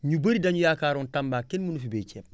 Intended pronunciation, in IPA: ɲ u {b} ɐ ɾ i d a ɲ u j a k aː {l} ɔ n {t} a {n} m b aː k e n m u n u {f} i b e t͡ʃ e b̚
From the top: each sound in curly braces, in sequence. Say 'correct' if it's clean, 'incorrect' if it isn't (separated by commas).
correct, incorrect, correct, incorrect, correct